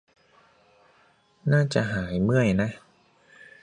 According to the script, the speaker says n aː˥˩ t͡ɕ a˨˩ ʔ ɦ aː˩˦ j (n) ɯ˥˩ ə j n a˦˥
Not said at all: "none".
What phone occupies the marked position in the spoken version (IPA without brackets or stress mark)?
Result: m